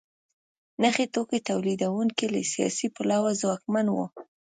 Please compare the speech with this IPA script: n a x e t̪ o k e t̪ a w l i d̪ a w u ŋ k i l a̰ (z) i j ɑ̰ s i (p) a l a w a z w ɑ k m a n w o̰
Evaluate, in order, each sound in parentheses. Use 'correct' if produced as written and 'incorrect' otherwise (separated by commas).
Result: incorrect, correct